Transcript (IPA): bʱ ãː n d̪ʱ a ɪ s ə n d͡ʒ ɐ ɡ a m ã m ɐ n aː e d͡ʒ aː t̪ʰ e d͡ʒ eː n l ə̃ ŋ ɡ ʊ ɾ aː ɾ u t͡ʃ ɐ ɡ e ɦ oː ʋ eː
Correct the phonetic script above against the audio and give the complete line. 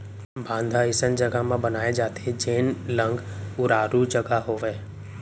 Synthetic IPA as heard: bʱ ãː n d̪ʱ a ɪ s ə n d͡ʒ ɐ ɡ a m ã b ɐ n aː e d͡ʒ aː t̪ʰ e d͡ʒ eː n l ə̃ ŋ ɡ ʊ ɾ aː ɾ u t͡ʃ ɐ ɡ a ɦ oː ʋ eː